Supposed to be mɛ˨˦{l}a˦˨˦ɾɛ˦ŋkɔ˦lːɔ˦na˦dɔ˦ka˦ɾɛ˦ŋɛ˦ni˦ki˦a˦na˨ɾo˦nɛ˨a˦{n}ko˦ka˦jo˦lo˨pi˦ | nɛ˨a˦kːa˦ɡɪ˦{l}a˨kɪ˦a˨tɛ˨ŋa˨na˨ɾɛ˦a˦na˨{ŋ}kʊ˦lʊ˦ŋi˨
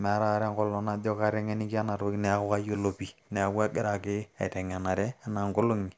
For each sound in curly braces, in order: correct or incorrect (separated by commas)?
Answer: incorrect, incorrect, incorrect, correct